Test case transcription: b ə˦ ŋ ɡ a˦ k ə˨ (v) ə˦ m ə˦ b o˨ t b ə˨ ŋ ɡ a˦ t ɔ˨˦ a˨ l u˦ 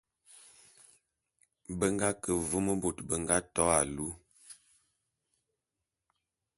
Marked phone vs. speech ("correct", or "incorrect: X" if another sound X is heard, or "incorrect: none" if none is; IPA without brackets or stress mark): correct